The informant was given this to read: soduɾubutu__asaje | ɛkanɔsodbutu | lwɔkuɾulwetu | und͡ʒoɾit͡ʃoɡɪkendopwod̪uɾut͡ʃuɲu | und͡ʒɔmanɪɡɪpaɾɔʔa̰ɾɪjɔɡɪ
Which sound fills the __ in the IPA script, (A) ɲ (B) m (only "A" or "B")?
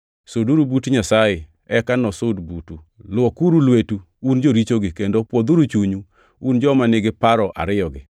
A